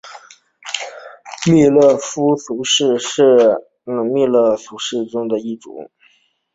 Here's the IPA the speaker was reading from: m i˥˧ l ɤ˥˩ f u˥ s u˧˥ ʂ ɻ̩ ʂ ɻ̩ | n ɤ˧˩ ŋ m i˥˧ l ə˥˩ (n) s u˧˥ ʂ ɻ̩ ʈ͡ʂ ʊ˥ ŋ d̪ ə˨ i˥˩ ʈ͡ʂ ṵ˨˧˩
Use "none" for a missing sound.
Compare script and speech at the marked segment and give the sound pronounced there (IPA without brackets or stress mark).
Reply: none